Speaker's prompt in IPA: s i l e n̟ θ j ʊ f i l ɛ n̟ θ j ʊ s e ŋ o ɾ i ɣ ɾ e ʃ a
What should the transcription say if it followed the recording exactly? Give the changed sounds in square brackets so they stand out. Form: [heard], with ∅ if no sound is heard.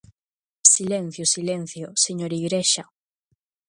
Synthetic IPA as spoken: s i l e n̟ θ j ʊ [s] i l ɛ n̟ θ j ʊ s e [ɲ] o ɾ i ɣ ɾ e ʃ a